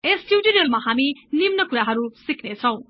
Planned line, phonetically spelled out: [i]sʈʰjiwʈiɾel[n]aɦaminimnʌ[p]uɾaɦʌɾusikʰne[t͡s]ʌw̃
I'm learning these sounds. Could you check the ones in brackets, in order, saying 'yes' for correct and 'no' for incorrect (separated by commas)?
no, no, no, no